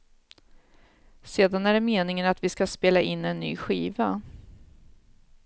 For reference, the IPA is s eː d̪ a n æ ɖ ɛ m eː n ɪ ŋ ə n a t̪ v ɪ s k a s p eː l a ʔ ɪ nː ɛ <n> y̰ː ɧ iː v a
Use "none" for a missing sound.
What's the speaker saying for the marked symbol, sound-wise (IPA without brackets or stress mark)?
nː